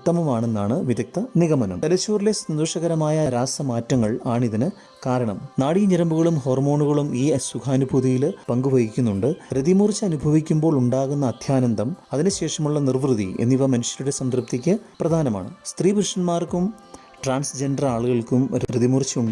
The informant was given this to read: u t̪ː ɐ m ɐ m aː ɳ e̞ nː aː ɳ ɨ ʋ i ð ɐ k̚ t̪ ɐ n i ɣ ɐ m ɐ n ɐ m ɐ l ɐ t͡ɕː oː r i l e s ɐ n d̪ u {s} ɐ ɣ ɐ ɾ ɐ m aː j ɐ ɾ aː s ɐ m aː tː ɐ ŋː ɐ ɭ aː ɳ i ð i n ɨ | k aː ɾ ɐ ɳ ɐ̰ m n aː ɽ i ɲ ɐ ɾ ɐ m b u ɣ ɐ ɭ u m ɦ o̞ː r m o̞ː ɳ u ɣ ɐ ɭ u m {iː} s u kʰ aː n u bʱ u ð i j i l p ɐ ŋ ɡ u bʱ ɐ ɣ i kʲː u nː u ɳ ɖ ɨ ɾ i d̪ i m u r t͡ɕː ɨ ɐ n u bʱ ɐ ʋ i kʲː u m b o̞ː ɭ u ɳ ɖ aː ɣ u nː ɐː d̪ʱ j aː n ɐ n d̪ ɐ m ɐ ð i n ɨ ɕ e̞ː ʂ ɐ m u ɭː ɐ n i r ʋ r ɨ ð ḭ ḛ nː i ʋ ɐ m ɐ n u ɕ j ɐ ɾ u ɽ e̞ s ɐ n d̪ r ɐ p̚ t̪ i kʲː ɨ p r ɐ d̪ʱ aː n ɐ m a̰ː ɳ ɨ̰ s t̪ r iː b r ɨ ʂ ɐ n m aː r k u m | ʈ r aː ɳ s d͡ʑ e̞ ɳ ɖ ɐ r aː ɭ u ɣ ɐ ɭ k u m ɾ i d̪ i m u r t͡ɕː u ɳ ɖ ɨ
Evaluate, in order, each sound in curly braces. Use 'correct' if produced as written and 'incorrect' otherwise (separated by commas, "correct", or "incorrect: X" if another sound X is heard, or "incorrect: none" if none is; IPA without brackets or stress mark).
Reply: incorrect: ʂ, correct